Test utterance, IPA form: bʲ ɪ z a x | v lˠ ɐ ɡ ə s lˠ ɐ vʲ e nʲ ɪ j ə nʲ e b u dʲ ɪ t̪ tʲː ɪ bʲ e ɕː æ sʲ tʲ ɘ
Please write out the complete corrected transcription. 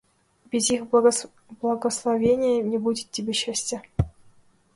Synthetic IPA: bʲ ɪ z i x | b lˠ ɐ ɡ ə s lˠ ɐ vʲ e nʲ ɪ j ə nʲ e b u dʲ ɪ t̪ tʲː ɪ bʲ e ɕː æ sʲ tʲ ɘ